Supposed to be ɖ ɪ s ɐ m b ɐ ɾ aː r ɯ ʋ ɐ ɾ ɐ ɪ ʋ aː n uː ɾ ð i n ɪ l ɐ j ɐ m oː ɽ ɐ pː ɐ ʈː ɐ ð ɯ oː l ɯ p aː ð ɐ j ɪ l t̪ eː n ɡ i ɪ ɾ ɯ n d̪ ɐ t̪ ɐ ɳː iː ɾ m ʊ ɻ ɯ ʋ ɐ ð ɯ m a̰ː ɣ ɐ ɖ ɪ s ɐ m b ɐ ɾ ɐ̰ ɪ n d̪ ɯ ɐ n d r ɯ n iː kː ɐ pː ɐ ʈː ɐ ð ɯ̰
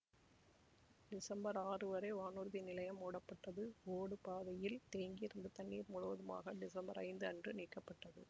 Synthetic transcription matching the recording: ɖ ɪ s ɐ m b ɐ ɾ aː r ɯ ʋ ɐ ɾ ɐ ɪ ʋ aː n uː ɾ ð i n ɪ l ɐ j ɐ m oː ɽ ɐ pː ɐ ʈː ɐ ð ɯ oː ɽ ɯ p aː ð ɐ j ɪ l t̪ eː ŋ ɡ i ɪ ɾ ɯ n d̪ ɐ t̪ ɐ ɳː iː ɾ m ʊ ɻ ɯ ʋ ɐ ð ɯ m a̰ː ɣ ɐ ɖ ɪ s ɐ m b ɐ ɾ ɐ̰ ɪ n d̪ ɯ ɐ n d r ɯ n iː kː ɐ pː ɐ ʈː ɐ ð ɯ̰